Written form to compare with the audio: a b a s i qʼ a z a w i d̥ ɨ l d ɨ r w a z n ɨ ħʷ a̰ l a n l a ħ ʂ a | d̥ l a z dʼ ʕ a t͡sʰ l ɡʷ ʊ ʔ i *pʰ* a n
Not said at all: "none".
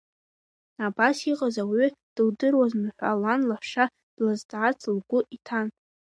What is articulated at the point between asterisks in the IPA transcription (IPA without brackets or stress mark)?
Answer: tʰ